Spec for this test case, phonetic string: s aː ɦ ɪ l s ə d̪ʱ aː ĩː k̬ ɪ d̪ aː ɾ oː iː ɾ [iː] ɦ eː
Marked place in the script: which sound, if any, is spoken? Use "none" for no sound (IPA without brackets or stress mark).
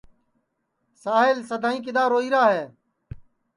aː